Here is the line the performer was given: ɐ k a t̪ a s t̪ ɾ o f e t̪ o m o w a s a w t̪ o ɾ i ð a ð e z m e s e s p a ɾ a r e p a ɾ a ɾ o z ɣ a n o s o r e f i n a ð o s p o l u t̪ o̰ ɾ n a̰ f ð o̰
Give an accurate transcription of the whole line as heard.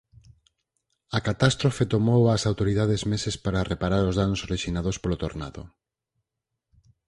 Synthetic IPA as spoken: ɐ k a t̪ a s t̪ ɾ o f e t̪ o m o w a s a w t̪ o ɾ i ð a ð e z m e s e s p a ɾ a r e p a ɾ a ɾ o z ð a n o s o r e ʃ i n a ð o s p o l o t̪ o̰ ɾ n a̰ ð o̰